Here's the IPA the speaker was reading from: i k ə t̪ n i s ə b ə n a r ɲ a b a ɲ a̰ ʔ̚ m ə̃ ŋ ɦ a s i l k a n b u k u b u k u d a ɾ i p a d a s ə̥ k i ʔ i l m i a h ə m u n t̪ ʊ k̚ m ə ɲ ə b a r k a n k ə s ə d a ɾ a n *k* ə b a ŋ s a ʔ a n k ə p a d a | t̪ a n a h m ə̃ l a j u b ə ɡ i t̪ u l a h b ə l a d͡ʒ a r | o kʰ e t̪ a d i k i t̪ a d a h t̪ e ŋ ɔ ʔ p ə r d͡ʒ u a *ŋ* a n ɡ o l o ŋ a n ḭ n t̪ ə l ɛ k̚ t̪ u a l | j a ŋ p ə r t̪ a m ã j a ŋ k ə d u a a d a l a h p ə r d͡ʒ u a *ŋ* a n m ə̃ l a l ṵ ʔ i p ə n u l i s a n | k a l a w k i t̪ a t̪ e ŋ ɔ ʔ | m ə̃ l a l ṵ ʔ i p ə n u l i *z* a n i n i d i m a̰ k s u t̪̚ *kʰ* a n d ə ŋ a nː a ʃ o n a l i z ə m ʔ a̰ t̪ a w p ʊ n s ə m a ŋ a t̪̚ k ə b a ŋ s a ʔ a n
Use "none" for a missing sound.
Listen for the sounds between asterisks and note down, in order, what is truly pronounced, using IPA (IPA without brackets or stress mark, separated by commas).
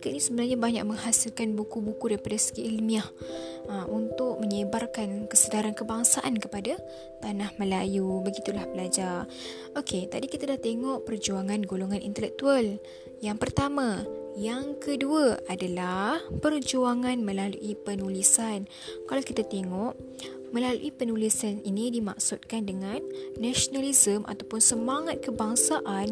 k, ŋ, ŋ, s, k